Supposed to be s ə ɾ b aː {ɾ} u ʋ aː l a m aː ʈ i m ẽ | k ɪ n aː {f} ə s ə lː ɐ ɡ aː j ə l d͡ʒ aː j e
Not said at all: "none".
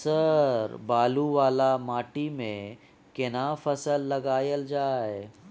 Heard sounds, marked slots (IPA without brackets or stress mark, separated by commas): l, f